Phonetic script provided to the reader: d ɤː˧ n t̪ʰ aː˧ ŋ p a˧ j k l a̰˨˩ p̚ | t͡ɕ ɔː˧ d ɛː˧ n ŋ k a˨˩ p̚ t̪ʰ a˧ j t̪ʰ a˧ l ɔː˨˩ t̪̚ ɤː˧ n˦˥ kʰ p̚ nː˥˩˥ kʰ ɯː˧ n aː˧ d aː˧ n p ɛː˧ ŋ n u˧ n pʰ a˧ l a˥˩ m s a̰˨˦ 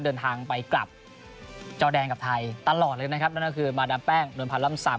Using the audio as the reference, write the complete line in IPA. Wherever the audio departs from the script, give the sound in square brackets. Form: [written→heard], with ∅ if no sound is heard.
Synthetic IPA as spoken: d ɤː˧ n t̪ʰ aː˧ ŋ p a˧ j k l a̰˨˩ p̚ | t͡ɕ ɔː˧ d ɛː˧ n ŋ k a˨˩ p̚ t̪ʰ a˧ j [t̪ʰ→t̪] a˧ l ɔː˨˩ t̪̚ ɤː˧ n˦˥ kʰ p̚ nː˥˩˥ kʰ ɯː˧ [n→m] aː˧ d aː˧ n p [ɛː˧→ɛː˥˩] ŋ n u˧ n pʰ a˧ l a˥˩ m s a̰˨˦